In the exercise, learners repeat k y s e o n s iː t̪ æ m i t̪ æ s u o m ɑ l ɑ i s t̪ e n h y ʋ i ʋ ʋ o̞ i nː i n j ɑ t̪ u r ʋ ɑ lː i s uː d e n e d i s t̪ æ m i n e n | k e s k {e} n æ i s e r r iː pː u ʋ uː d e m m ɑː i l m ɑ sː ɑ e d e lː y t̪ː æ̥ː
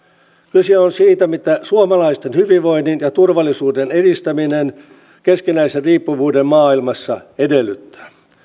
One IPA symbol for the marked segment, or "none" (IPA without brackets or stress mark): i